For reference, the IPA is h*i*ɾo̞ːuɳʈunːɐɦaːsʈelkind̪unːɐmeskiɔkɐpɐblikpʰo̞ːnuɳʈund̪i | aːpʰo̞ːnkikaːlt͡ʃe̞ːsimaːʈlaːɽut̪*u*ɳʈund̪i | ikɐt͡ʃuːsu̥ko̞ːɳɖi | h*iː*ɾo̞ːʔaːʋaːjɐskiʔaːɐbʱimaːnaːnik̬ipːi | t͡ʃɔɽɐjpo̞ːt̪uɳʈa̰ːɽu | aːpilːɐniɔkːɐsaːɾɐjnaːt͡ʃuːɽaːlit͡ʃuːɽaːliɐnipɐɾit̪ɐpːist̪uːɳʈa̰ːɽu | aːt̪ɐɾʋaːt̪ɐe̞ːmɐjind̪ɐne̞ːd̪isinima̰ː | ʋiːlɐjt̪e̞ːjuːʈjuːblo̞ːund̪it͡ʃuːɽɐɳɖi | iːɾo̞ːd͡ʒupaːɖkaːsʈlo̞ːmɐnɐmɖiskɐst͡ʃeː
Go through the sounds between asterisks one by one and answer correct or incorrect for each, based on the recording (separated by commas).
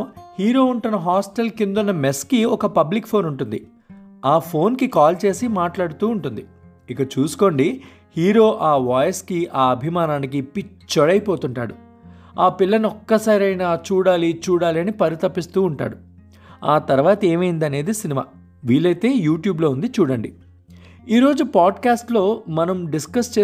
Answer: incorrect, incorrect, correct